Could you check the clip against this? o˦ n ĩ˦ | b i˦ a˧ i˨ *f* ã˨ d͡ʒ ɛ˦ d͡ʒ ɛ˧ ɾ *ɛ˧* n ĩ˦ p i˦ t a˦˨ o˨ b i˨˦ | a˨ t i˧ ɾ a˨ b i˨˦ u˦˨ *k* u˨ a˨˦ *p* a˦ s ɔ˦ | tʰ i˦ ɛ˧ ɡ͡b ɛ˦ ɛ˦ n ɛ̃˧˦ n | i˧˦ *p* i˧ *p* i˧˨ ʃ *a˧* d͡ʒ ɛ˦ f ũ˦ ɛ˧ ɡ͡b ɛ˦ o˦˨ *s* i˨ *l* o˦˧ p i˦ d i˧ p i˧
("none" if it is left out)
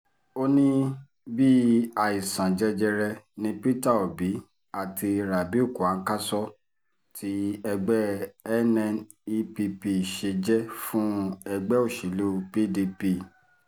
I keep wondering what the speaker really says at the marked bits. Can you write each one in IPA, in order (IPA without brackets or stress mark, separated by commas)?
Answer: s, ɛ˧, k, k, p, p, e˧, ʃ, l